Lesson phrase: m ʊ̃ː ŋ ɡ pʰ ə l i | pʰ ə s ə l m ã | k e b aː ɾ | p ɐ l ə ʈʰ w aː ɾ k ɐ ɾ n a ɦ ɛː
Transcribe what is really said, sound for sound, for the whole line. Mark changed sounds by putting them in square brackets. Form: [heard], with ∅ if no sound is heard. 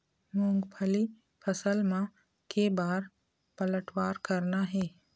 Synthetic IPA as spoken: m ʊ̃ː ŋ ɡ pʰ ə l i | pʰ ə s ə l m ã | k e b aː ɾ | p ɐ l ə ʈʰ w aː ɾ k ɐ ɾ n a ɦ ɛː